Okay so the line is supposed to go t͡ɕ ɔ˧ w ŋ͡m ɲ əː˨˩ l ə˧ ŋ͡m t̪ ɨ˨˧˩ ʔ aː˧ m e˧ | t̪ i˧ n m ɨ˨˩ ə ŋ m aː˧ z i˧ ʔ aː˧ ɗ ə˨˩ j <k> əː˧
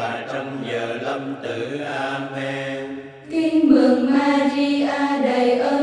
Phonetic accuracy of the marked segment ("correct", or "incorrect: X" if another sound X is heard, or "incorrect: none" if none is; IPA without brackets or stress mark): incorrect: ʔ